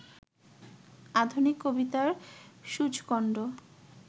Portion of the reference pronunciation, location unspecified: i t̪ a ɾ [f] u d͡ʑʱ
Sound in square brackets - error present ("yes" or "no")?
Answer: yes